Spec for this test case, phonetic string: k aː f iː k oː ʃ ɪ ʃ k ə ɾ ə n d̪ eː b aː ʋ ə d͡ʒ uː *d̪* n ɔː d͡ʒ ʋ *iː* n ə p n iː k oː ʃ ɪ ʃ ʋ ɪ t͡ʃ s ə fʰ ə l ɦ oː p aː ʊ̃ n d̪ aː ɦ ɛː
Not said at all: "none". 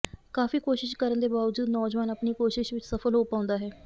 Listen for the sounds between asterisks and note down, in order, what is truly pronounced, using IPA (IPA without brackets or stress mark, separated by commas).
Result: d̪, aː